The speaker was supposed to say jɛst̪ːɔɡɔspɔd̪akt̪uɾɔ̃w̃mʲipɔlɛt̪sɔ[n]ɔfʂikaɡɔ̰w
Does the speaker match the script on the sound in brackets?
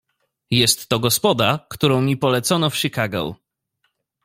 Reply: yes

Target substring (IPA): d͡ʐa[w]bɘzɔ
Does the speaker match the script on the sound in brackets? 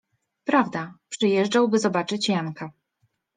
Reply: yes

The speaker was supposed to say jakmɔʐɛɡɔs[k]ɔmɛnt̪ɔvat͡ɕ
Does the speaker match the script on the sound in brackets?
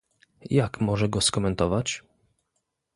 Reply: yes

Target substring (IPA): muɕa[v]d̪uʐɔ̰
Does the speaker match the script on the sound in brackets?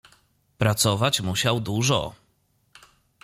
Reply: no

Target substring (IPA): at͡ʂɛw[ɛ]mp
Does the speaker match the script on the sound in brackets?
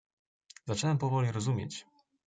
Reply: yes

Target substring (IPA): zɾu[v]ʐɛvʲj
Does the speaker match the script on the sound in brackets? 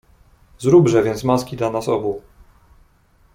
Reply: no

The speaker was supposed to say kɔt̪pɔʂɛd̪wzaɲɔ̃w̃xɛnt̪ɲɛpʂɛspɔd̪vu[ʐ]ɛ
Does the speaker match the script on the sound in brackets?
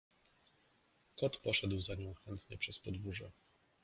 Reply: yes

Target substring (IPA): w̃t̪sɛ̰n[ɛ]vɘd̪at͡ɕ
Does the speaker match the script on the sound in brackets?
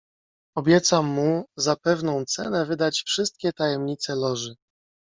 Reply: yes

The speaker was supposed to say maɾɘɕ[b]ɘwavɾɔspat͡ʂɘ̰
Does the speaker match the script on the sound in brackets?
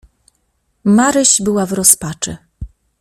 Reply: yes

